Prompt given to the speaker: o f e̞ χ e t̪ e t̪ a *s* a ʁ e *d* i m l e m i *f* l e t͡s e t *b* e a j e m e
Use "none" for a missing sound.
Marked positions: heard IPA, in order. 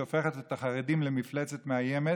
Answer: χ, d, f, m

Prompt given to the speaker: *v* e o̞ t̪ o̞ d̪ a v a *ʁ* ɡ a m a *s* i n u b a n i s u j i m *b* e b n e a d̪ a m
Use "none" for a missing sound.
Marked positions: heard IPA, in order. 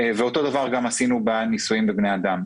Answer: v, ʁ, s, b

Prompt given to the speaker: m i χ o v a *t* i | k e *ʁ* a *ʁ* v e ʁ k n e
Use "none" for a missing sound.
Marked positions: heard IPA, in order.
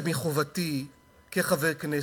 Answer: t, χ, none

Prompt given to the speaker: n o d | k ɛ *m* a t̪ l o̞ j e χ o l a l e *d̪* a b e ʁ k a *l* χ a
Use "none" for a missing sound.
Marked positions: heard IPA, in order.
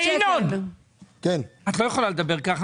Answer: n, d̪, none

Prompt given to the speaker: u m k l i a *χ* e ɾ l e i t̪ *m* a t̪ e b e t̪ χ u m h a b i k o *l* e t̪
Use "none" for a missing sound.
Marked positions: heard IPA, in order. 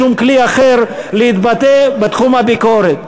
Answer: χ, b, ɾ

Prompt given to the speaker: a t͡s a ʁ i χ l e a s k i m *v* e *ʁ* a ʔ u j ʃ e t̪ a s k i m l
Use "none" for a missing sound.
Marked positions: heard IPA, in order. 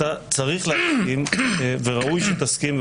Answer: v, ʁ

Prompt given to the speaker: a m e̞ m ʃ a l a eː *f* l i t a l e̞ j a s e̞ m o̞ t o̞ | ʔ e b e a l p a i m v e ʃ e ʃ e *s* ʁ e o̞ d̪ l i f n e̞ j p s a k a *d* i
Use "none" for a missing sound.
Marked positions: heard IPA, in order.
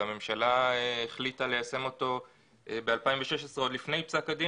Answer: χ, s, d

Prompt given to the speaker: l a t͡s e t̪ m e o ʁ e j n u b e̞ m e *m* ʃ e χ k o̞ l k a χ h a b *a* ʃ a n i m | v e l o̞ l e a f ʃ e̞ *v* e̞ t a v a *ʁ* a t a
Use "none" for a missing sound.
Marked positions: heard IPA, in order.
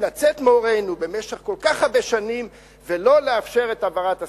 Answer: none, e, ʁ, ʁ

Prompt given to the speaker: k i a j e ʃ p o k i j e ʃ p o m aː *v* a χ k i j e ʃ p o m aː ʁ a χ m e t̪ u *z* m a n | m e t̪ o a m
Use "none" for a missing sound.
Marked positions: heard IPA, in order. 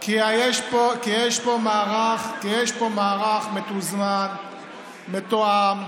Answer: ʁ, z

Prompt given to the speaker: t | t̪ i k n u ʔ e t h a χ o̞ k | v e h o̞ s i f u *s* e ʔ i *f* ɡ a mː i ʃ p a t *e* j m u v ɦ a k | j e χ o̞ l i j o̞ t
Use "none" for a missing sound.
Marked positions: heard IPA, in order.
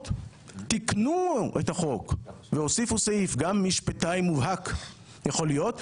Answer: s, f, a

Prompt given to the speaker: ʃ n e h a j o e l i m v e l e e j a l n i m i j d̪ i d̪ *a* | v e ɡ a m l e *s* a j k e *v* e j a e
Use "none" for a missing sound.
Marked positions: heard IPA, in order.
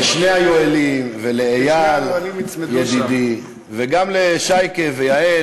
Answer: i, ʃ, v

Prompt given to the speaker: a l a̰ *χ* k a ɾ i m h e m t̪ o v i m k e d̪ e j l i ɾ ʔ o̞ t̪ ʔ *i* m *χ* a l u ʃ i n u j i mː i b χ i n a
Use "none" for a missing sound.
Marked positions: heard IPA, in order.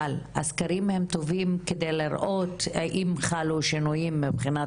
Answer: s, i, χ

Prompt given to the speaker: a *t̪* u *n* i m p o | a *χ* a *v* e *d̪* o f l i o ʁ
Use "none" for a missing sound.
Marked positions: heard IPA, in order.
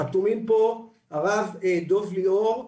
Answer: t̪, m, ʁ, v, d̪

